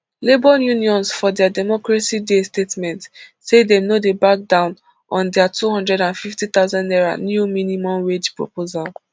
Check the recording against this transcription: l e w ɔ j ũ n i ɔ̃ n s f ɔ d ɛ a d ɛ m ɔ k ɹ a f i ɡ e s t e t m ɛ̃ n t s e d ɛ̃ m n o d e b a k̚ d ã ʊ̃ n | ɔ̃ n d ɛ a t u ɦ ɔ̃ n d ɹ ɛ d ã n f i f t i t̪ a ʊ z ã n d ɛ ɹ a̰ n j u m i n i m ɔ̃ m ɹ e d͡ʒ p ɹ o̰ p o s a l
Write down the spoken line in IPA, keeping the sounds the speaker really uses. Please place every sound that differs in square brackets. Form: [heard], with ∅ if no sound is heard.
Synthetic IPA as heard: l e [b] ɔ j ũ n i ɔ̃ n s f ɔ d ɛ a d ɛ m ɔ k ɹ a [s] i [d] e s t e t m ɛ̃ n t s e d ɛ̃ m n o d e b a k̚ d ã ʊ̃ n | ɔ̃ n d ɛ a t u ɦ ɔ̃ n d ɹ ɛ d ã n f i f t i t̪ a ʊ z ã n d ɛ ɹ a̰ n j u m i n i m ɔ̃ m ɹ e d͡ʒ p ɹ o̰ p o [z] a l